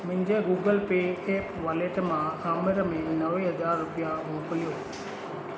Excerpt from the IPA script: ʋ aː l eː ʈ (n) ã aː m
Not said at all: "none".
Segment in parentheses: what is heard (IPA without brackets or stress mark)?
m